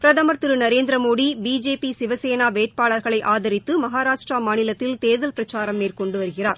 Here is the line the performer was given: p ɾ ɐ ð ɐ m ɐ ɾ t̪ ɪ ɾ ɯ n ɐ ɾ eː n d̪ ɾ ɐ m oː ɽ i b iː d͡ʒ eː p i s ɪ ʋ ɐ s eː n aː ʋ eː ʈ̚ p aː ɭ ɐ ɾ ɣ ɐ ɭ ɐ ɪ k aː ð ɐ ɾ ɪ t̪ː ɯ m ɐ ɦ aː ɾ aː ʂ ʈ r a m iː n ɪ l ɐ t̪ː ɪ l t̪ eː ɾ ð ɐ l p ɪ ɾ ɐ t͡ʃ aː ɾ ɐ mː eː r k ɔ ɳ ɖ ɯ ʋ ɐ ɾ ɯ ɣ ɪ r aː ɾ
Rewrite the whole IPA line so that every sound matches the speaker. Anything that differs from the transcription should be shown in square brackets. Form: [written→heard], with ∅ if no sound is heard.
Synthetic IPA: p ɾ ɐ ð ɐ m ɐ ɾ t̪ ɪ ɾ ɯ n ɐ ɾ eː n d̪ ɾ ɐ m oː ɽ i b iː d͡ʒ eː p i s ɪ ʋ ɐ s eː n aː ʋ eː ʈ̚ p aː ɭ ɐ ɾ ɣ ɐ ɭ ɐ ɪ [k→ʔ] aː ð ɐ ɾ ɪ t̪ː ɯ m ɐ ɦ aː ɾ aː ʂ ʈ r a m [iː→aː] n ɪ l ɐ t̪ː ɪ l t̪ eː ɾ ð ɐ l p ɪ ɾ ɐ t͡ʃ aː ɾ ɐ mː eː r k ɔ ɳ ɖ ɯ ʋ ɐ ɾ ɯ ɣ ɪ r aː ɾ